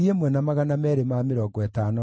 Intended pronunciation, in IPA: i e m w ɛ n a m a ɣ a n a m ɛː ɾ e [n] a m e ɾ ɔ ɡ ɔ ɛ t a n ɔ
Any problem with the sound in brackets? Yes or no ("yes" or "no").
yes